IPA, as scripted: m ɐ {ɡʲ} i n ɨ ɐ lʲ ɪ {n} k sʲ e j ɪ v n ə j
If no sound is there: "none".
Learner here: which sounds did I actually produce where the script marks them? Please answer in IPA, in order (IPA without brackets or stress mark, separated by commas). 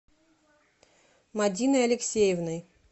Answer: dʲ, none